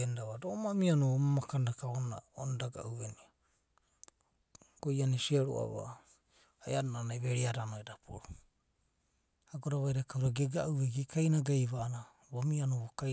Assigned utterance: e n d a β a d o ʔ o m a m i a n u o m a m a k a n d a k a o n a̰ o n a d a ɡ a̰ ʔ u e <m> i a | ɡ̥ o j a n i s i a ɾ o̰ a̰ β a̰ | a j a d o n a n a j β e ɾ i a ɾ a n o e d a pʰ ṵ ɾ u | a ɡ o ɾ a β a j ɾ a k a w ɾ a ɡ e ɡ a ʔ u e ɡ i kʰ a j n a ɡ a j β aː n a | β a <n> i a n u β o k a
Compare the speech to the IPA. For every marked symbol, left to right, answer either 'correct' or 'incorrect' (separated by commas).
incorrect, incorrect